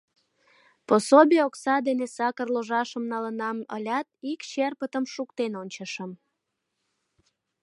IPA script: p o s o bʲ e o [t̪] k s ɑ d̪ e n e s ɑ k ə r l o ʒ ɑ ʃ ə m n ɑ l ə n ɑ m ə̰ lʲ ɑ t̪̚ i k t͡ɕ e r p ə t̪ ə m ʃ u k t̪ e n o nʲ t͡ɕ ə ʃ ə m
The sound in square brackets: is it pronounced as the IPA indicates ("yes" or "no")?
no